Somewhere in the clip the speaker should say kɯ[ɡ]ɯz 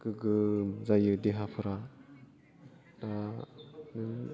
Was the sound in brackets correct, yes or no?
yes